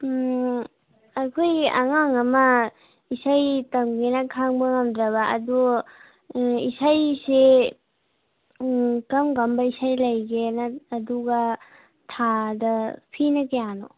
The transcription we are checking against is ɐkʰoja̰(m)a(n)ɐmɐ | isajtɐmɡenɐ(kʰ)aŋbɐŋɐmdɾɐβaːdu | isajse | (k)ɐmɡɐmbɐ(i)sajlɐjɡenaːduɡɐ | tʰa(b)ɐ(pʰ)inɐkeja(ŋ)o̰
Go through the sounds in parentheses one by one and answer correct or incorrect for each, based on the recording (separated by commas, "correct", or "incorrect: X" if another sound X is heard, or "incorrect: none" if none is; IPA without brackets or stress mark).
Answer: incorrect: ŋ, incorrect: ŋ, correct, correct, correct, incorrect: d, correct, incorrect: n